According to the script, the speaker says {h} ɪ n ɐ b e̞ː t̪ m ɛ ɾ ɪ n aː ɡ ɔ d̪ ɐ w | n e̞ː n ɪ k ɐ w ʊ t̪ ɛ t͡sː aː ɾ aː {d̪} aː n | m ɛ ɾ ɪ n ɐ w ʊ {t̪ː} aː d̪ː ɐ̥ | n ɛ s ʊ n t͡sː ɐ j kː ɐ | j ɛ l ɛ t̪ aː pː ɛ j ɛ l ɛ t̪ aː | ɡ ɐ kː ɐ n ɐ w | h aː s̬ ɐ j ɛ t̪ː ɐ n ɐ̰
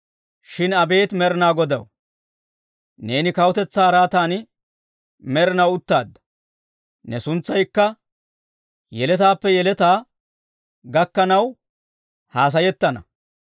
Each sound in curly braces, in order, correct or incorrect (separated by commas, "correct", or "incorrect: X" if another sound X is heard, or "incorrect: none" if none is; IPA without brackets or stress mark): incorrect: ʃ, incorrect: t̪, correct